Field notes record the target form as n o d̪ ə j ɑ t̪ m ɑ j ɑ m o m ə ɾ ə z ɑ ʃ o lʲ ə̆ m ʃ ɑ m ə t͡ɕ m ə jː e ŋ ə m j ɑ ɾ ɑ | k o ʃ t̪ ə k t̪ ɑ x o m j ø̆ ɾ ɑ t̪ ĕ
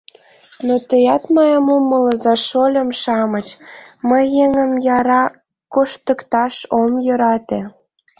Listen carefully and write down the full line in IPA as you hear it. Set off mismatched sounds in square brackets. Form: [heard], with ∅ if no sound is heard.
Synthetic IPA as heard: n o [t̪] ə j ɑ t̪ m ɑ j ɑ m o m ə [l] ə z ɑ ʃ o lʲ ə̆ m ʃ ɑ m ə t͡ɕ m ə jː e ŋ ə m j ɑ ɾ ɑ | k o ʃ t̪ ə k t̪ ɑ [ʃ] o m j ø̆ ɾ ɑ t̪ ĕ

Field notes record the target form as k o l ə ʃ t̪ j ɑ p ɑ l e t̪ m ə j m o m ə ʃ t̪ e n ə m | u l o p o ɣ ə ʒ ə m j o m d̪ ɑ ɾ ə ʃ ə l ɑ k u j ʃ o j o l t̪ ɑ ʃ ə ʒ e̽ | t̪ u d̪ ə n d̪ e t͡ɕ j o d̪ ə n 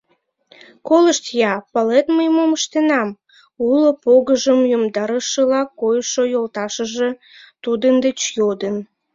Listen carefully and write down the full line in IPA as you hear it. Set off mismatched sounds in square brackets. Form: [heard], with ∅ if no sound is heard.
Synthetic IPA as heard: k o l ə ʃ t̪ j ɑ p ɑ l e t̪ m ə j m o m ə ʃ t̪ e n [ɑ] m | u l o p o ɣ ə ʒ ə m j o m d̪ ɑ ɾ ə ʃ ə l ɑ k [o] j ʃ o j o l t̪ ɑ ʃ ə ʒ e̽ | t̪ u d̪ ə n d̪ e t͡ɕ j o d̪ ə n

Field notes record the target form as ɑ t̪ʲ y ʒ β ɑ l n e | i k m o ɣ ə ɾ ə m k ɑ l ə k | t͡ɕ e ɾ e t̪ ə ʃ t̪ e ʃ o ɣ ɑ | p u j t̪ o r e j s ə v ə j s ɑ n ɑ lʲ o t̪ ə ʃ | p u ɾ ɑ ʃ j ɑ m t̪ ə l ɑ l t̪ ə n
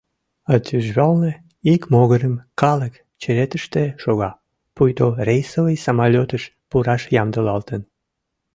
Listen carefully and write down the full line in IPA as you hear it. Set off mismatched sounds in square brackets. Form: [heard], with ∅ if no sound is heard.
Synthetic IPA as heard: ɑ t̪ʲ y ʒ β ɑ l n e | i k m o ɣ ə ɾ ə m k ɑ l ə k | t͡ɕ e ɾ e t̪ ə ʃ t̪ e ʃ o ɣ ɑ | p u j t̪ o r e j s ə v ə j s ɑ [m] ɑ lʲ o t̪ ə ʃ | p u ɾ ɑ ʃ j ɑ m [d̪] ə l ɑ l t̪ ə n

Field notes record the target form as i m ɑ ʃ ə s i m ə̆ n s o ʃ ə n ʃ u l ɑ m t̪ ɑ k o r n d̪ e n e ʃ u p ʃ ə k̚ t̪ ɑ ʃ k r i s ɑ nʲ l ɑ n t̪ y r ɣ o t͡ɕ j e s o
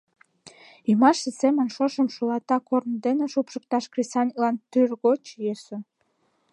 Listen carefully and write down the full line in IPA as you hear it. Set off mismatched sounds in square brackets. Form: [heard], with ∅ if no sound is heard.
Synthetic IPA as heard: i m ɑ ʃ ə s [e] m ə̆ n [ʃ] o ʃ ə [m] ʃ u l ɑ [∅] t̪ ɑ k o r n d̪ e n e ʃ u p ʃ ə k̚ t̪ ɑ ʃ k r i s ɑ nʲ l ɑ n t̪ y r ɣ o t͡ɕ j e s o

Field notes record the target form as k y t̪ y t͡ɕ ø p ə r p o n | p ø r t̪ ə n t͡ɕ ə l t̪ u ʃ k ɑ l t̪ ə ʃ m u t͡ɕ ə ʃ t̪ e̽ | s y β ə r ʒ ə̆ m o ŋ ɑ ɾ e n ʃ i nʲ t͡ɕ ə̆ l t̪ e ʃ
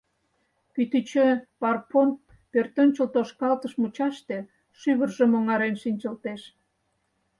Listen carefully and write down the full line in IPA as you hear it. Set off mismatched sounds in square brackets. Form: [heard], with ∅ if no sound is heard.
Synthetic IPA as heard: k y t̪ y t͡ɕ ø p [ɑ] r p o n | p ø r t̪ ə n t͡ɕ ə l t̪ [o] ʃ k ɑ l t̪ ə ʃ m u t͡ɕ [ɑ] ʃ t̪ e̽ | [ʃ] y β ə r ʒ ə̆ m o ŋ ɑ ɾ e n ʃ i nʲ t͡ɕ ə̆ l t̪ e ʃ

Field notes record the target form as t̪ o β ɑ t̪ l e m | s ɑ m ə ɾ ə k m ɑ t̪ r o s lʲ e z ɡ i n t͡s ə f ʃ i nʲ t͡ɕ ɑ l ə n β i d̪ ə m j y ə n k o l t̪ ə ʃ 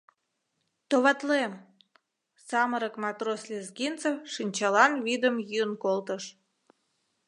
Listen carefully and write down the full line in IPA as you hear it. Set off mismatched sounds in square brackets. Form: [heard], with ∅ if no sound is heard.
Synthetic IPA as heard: t̪ o β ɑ t̪ l e m | s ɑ m ə ɾ ə k m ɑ t̪ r o s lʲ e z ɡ i n t͡s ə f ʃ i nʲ t͡ɕ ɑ l [ɑ] n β i d̪ ə m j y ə n k o l t̪ ə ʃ

